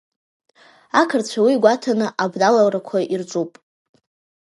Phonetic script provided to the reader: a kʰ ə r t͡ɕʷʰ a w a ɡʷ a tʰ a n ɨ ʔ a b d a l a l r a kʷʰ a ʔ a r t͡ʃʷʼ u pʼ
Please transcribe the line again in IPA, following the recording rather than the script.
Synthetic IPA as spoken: a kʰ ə r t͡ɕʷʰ a w i ɡʷ a tʰ a n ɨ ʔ a b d a l a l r a kʷʰ a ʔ i r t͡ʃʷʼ u pʼ

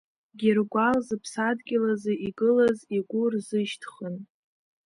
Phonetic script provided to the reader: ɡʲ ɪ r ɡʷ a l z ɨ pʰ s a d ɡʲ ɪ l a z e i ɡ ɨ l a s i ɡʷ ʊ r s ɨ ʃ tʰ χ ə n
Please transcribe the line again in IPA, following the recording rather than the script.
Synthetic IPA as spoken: ɡʲ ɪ r ɡʷ a l z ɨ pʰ s a d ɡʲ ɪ l a z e i ɡ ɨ l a z i ɡʷ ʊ r z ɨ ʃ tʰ χ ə n

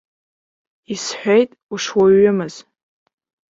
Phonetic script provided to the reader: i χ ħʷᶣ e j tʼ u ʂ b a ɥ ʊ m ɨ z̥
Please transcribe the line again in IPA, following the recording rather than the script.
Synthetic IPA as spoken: i s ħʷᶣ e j tʼ u ʂ w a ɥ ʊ m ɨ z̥

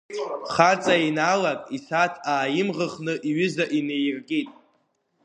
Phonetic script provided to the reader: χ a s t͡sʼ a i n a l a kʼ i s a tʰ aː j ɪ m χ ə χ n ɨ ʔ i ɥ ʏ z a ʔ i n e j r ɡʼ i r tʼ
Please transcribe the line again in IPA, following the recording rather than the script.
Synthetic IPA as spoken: χ a t͡sʼ a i n a l a kʼ i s a tʰ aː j ɪ m ʁ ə χ n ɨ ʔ i ɥ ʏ z a ʔ i n e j r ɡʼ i tʼ

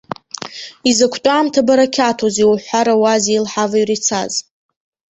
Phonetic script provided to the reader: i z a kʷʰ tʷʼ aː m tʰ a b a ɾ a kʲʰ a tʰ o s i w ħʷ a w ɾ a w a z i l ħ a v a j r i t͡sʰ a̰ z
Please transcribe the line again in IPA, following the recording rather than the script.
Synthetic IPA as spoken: i z a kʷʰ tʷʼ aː m tʰ a b a ɾ a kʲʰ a tʰ o z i w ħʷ a ɾ a w a z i l ħ a v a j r i t͡sʰ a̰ z

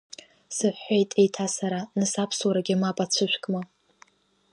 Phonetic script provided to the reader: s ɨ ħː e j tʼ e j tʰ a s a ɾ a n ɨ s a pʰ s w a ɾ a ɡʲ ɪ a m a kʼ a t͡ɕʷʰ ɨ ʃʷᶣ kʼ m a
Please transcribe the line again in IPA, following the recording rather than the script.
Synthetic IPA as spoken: s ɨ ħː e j tʼ e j tʰ a s a ɾ a n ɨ s a pʰ s w a ɾ a ɡʲ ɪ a m a pʼ a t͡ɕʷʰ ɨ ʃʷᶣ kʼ m a

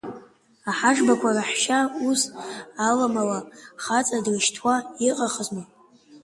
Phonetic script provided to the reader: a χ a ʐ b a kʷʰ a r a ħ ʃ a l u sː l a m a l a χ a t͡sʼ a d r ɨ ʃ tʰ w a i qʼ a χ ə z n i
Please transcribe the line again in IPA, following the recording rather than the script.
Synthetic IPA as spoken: a ħ a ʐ b a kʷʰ a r a ħ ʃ a u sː l a m a l a χ a t͡sʼ a d r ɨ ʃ tʰ w a i qʼ a χ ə z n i

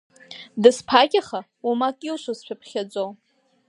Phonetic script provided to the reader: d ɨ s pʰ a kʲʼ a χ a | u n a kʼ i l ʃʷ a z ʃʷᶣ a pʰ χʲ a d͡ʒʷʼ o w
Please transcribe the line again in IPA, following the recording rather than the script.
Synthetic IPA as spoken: d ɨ s pʰ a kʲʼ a χ a | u m a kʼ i l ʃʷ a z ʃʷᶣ a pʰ χʲ a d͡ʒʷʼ o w

